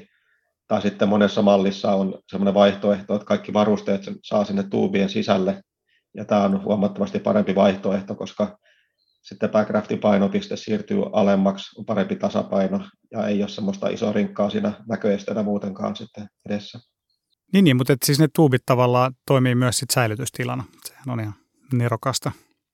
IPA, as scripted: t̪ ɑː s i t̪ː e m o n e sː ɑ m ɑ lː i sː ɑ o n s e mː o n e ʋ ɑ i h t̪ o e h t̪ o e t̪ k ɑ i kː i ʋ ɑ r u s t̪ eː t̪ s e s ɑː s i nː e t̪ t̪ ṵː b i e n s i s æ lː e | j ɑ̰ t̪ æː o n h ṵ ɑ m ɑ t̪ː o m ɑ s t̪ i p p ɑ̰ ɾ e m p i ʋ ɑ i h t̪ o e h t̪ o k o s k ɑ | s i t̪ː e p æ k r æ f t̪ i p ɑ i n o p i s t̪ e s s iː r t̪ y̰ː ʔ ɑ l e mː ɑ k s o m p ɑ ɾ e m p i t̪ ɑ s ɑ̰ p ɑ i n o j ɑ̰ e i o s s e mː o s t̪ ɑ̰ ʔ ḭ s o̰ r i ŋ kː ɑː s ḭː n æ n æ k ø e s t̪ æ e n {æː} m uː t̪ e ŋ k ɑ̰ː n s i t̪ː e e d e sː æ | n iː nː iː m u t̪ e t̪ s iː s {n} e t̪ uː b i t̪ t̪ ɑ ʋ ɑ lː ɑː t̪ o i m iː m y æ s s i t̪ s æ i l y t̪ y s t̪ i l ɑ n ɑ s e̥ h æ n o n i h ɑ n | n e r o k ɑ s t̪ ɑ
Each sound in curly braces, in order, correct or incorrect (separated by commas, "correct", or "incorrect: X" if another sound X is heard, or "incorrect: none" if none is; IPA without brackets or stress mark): incorrect: æ, correct